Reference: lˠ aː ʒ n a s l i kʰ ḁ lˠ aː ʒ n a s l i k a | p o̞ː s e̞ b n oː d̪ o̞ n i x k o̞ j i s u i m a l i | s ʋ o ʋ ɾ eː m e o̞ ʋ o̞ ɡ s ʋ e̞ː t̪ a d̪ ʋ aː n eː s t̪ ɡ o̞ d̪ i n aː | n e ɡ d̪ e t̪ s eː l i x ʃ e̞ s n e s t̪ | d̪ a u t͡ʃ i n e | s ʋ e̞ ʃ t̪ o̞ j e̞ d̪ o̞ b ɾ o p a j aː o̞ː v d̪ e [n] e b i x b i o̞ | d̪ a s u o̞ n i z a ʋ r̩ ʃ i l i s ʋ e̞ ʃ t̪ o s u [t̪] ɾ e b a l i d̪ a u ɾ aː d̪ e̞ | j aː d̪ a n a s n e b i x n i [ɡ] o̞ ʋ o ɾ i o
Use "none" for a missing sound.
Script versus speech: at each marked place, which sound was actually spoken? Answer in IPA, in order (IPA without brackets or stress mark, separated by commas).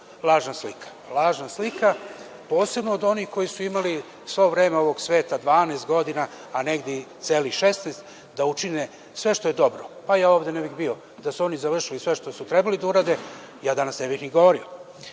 n, t̪, ɡ